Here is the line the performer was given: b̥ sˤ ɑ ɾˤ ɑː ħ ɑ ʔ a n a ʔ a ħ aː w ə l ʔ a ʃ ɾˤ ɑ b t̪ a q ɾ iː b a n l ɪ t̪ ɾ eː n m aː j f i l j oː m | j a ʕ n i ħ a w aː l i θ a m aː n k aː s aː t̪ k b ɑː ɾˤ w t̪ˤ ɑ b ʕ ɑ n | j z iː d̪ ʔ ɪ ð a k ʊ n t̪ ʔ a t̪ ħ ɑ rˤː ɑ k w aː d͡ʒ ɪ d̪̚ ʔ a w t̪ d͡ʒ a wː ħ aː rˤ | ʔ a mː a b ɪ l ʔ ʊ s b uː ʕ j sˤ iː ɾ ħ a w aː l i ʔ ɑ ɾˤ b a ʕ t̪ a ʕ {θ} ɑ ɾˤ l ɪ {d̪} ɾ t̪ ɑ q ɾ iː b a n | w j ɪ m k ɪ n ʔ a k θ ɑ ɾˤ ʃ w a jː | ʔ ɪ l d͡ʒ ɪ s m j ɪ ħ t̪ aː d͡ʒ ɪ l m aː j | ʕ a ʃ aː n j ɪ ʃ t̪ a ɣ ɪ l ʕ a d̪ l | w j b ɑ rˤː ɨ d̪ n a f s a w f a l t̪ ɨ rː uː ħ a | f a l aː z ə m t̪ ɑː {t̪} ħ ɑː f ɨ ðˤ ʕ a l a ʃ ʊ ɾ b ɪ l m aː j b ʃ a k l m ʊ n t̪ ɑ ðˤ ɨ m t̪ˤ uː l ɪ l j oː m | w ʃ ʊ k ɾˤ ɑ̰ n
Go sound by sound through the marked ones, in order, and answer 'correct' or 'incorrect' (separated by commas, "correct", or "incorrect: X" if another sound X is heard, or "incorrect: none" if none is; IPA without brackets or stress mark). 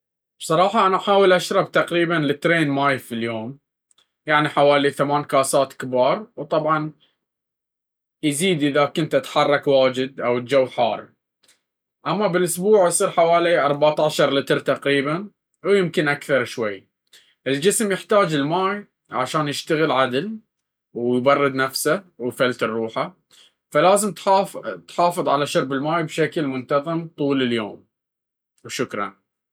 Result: incorrect: ʃ, incorrect: t̪, correct